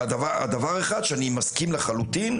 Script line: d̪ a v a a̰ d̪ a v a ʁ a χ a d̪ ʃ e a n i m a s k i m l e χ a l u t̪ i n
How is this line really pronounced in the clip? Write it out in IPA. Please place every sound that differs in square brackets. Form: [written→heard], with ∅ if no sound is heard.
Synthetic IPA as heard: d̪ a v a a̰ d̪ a v a ʁ [a→e] χ a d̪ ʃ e a n i m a s k i m l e χ a l u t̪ i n